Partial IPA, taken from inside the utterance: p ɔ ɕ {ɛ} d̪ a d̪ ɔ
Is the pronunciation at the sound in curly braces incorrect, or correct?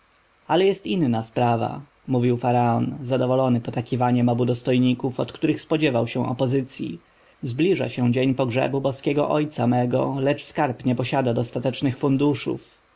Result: incorrect